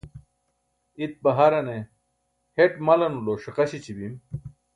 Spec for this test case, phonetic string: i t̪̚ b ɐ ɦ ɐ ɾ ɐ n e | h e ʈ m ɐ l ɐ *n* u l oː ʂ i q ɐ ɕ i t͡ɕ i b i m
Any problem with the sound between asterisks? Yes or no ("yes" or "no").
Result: no